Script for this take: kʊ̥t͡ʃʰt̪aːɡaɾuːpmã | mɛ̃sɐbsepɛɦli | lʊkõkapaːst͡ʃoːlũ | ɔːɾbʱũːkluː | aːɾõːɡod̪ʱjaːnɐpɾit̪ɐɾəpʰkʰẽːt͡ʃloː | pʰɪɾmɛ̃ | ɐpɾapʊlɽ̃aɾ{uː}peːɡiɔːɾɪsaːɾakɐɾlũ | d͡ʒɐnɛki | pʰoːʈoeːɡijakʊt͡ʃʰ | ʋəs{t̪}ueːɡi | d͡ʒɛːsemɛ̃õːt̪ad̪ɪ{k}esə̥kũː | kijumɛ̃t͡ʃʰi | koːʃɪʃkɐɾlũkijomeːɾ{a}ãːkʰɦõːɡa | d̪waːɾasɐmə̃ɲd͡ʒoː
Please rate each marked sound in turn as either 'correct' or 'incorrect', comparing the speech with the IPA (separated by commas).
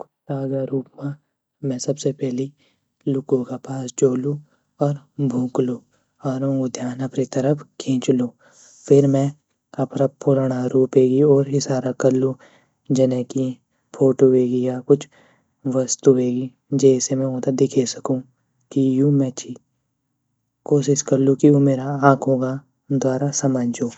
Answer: correct, correct, incorrect, correct